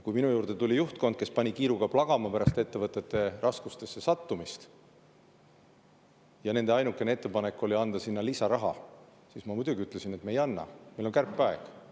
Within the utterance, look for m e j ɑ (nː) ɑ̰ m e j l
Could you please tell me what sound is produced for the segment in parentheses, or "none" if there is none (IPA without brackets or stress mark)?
nː